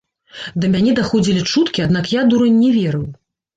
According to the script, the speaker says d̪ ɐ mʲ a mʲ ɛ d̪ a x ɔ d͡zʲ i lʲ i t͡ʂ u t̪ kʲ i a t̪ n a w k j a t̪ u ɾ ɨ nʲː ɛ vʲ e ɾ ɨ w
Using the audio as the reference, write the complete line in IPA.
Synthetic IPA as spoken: d̪ ɐ mʲ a nʲ ɛ d̪ a x ɔ d͡zʲ i lʲ i t͡ʂ u t̪ kʲ i a d̪ n a k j a d̪ u ɾ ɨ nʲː ɛ vʲ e ɾ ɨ w